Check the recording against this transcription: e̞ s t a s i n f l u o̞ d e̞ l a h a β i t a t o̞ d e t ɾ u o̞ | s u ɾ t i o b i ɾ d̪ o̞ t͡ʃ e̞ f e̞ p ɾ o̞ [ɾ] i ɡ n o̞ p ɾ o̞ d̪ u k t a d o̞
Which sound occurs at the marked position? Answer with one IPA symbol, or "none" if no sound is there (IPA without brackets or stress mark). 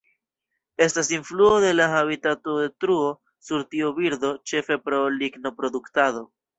l